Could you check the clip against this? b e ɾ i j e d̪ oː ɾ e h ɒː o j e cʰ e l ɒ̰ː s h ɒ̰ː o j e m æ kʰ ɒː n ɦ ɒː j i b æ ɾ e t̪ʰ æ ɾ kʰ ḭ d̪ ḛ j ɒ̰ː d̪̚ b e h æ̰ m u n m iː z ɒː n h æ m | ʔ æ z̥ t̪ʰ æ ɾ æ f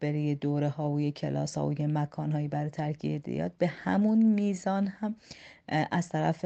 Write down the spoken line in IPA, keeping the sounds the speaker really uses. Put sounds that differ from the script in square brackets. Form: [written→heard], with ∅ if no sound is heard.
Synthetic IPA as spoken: b e ɾ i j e d̪ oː ɾ e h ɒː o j e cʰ e l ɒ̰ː s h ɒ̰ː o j e m æ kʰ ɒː n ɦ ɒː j i b æ ɾ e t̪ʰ æ ɾ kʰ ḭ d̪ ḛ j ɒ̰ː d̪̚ b e h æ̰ m u n m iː z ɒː n h æ m | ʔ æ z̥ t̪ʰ æ ɾ æ f